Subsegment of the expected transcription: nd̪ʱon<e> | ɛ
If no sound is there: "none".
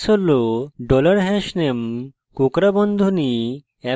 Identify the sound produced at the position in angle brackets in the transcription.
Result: i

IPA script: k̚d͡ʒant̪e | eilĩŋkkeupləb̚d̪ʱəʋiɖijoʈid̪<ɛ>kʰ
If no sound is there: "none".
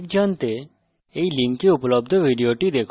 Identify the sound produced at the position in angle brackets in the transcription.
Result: e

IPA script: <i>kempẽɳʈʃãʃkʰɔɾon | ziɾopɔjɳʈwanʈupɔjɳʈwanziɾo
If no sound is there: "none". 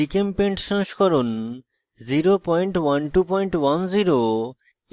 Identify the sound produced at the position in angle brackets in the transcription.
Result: i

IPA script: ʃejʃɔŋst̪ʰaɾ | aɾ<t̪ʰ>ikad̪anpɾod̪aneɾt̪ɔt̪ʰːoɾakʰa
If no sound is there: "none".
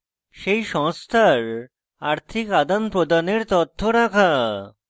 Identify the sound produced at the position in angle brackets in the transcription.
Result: t̪ʰ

